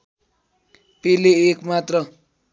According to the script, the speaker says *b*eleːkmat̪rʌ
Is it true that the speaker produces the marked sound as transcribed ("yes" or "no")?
no